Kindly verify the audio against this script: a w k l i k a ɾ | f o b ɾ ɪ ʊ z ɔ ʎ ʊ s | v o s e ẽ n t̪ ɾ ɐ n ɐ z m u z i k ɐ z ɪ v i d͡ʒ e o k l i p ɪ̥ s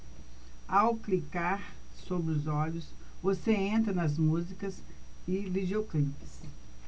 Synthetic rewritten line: a w k l i k a ɾ | s o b ɾ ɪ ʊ z ɔ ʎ ʊ s | v o s e ẽ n t̪ ɾ ɐ n ɐ z m u z i k ɐ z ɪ v i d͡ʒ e o k l i p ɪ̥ s